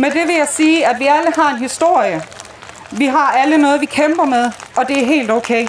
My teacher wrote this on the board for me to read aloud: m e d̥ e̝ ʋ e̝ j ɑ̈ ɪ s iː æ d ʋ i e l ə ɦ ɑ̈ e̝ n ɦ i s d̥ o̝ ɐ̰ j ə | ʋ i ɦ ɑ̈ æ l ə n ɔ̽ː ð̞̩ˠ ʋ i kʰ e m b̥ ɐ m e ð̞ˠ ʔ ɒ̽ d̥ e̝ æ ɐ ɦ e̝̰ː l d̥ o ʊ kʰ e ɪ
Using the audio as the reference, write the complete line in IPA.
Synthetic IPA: m e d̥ e̝ ʋ e̝ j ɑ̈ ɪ s iː æ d ʋ i æ l ə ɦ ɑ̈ e̝ n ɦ i s d̥ o̝ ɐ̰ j ə | ʋ i ɦ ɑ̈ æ l ə n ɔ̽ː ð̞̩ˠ ʋ i kʰ e m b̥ ɐ m e ð̞ˠ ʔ ɒ̽ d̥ e̝ æ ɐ ɦ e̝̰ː l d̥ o ʊ kʰ e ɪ